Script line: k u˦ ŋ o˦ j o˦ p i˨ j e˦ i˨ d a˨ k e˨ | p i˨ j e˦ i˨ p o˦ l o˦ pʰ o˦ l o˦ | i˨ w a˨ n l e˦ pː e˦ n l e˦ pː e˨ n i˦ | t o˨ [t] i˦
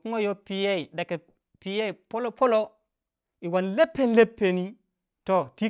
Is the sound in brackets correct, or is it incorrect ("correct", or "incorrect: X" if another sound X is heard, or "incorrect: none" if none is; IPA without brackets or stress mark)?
correct